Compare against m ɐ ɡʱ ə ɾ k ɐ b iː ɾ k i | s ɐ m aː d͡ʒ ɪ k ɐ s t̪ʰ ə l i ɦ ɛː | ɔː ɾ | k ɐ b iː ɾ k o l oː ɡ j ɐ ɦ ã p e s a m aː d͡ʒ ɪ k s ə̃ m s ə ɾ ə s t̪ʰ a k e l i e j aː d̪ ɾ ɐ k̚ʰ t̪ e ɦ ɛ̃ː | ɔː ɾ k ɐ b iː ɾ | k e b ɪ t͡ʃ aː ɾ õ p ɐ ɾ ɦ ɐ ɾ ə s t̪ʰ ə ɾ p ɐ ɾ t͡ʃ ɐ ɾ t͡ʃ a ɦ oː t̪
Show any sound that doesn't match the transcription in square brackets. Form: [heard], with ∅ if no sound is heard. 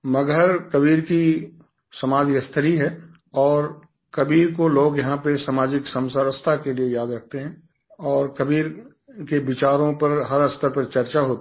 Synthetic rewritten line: m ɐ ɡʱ ə ɾ k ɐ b iː ɾ k i | s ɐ m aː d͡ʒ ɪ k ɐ s t̪ʰ ə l i ɦ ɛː | ɔː ɾ | k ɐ b iː ɾ k o l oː ɡ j ɐ ɦ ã p e s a m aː d͡ʒ ɪ k s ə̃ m s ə ɾ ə s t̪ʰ a k e l i e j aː d̪ ɾ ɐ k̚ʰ t̪ e ɦ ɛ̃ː | ɔː ɾ k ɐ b iː ɾ | k e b ɪ t͡ʃ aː ɾ õ p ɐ ɾ ɦ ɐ ɾ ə s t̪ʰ ə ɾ p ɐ ɾ t͡ʃ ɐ ɾ t͡ʃ a ɦ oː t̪

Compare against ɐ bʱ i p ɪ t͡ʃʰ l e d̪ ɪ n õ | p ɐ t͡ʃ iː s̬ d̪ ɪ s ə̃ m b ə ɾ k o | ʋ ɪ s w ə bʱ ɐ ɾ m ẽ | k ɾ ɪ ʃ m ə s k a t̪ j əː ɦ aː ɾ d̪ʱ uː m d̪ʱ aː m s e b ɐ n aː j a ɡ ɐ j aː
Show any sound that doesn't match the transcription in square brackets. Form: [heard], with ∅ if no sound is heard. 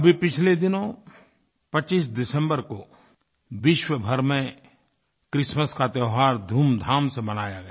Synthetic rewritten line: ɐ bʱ i p ɪ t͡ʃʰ l e d̪ ɪ n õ | p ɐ t͡ʃ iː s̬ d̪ ɪ s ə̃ m b ə ɾ k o | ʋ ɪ [ʃ] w ə bʱ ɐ ɾ m ẽ | k ɾ ɪ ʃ m ə s k a t̪ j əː ɦ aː ɾ d̪ʱ uː m d̪ʱ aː m s e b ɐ n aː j a ɡ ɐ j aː

